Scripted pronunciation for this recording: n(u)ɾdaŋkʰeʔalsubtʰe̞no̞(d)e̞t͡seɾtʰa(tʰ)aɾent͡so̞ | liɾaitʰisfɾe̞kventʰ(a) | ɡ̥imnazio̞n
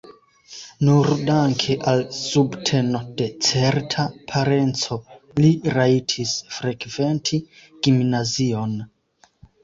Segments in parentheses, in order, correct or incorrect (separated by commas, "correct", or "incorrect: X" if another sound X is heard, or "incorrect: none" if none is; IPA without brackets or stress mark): correct, correct, incorrect: pʰ, incorrect: i